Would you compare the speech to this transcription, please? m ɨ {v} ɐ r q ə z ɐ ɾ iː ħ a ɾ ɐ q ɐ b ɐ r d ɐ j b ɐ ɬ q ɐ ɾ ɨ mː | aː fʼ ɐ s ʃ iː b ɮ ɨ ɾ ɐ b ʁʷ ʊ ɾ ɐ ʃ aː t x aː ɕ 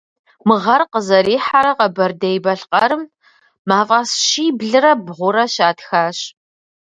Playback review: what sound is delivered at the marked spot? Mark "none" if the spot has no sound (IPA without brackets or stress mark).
ʁ